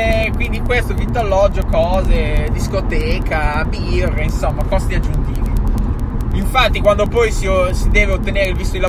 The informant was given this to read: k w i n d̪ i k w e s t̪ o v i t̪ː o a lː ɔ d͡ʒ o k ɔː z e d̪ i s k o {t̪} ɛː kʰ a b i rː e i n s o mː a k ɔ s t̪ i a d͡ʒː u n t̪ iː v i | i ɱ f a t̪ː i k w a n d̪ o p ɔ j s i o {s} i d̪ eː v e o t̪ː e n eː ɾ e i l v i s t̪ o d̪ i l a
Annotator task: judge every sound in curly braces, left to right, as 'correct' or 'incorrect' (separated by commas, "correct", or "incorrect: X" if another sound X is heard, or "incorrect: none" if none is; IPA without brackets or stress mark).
correct, correct